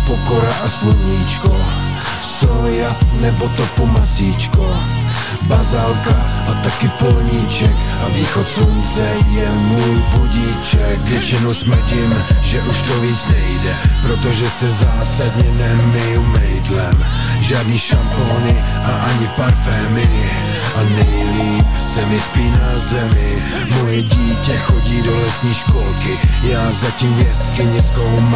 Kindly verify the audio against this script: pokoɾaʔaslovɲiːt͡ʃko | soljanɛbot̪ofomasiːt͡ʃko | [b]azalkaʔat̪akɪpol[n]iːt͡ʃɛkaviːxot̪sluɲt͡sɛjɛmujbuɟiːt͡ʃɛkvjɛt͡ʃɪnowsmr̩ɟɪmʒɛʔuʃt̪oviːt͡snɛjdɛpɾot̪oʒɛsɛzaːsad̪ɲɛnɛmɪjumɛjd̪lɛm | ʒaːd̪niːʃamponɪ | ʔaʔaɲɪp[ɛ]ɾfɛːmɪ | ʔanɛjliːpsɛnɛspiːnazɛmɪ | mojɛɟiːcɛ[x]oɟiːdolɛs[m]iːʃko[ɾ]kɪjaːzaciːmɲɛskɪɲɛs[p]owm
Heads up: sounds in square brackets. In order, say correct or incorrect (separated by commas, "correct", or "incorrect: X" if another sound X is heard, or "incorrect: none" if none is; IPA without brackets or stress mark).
correct, incorrect: ɲ, incorrect: a, correct, incorrect: ɲ, incorrect: l, incorrect: k